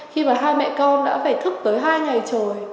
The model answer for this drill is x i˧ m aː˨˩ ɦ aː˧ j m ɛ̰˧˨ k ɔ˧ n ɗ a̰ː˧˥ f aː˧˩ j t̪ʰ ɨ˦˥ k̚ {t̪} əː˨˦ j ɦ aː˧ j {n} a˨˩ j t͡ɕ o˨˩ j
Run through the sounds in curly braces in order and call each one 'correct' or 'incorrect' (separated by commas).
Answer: correct, incorrect